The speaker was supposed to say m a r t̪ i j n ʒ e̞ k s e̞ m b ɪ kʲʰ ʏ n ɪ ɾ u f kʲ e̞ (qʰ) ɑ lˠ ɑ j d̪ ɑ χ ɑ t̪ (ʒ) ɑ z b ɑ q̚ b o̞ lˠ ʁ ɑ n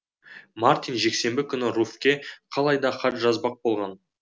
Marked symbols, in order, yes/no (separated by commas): yes, yes